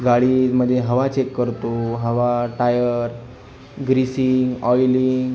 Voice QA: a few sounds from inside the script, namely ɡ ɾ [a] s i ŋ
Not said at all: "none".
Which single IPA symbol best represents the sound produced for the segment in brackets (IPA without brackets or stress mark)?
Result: i